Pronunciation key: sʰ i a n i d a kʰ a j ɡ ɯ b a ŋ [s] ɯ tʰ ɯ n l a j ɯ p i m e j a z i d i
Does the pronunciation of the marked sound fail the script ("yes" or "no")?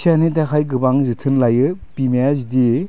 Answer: yes